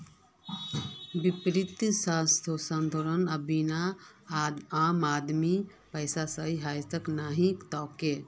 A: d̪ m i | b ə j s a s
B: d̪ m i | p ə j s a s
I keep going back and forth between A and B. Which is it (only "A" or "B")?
B